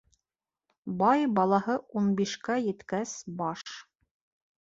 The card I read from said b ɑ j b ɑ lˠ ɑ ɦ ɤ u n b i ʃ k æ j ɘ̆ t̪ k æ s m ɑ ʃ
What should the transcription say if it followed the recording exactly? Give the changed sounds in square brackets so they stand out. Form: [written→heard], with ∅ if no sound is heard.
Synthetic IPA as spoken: b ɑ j b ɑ lˠ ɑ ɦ ɤ u n b i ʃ k æ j ɘ̆ t̪ k æ s [m→b] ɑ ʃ